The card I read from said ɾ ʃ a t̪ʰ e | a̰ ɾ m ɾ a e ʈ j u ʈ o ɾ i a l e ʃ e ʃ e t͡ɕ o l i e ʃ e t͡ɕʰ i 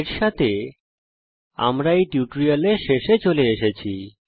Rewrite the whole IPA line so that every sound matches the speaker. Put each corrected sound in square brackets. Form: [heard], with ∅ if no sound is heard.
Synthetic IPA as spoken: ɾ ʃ a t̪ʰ e | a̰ [∅] m ɾ a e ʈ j u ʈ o ɾ i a l e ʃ e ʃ e t͡ɕ o l [e] e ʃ e t͡ɕʰ i